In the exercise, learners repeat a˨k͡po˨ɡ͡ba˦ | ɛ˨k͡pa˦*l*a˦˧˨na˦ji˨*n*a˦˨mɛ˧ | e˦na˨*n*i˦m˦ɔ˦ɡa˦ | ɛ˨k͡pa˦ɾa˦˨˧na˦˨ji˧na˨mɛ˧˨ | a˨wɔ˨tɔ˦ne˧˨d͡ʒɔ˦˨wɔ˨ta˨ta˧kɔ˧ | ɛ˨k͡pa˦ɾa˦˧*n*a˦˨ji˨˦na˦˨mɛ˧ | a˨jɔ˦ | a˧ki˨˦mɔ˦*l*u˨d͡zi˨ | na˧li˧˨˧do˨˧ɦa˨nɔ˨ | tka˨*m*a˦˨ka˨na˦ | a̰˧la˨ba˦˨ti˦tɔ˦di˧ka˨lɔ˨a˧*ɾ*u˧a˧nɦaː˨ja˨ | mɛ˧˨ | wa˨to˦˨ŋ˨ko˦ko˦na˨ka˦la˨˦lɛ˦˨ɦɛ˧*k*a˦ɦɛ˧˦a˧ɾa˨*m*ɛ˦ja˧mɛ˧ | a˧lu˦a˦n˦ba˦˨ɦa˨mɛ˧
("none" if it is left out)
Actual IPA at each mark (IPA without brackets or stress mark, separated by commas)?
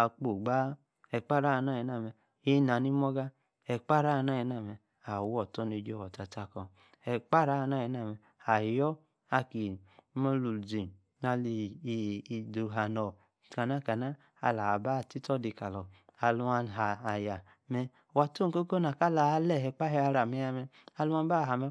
ɾ, n, n, n, l, n, l, k͡p, m